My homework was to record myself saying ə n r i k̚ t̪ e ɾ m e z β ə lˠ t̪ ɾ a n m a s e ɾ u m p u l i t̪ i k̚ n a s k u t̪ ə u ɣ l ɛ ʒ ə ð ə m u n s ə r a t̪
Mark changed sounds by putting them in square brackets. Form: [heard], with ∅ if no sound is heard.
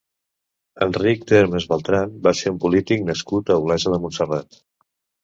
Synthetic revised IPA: ə n r i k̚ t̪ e ɾ m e z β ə lˠ t̪ ɾ a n [b] a s e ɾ u m p u l i t̪ i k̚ n [ə] s k u t̪ ə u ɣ l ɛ ʒ ə ð ə m u n s ə r a t̪